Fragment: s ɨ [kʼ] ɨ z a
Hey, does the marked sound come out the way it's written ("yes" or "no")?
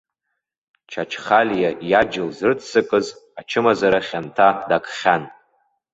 yes